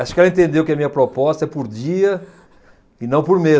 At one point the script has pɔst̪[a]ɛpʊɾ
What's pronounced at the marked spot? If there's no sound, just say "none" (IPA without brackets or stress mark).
ɐ